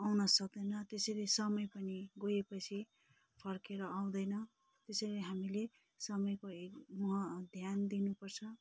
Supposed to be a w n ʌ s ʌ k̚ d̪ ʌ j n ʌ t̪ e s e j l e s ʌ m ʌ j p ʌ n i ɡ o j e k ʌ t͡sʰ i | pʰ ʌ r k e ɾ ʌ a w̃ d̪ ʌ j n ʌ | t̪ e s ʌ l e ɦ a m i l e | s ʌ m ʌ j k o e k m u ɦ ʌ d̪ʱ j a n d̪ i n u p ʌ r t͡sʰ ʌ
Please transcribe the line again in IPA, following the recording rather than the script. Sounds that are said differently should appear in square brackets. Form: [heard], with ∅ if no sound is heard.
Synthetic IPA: a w n ʌ s ʌ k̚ d̪ ʌ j n ʌ t̪ e s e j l e s ʌ m ʌ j p ʌ n i ɡ o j e [p] ʌ t͡sʰ i | pʰ ʌ r k e ɾ ʌ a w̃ d̪ ʌ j n ʌ | t̪ e s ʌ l e ɦ a m i l e | s ʌ m ʌ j k o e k m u ɦ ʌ d̪ʱ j a n d̪ i n u p ʌ r t͡sʰ ʌ